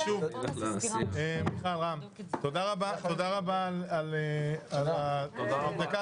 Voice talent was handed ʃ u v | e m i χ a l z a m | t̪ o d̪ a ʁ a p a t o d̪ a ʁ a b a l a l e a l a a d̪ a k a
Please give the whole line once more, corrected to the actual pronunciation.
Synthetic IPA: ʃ u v | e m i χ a l ʁ a m | t̪ o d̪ a ʁ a b a t o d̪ a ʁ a b a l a l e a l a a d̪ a k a